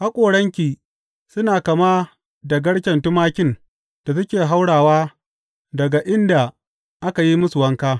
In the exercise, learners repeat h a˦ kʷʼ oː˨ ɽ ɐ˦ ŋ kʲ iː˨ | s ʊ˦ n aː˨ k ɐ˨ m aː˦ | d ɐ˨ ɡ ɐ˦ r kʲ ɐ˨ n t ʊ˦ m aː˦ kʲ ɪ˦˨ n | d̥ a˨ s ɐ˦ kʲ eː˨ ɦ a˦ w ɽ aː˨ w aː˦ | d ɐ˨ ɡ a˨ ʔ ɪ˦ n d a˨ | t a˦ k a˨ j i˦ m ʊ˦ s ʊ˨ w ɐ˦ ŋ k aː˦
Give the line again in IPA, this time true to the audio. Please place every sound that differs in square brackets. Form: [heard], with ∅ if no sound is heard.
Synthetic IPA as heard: h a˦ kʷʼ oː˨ ɽ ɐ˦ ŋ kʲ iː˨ | s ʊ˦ n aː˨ k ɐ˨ m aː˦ | d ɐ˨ ɡ ɐ˦ [ɽ] kʲ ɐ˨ n t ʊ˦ m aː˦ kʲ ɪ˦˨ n | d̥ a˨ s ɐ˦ kʲ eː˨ ɦ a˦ w ɽ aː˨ w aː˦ | d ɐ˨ ɡ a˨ ʔ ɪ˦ n d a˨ | [ʔ] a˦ k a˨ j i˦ m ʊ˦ s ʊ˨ w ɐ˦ ŋ k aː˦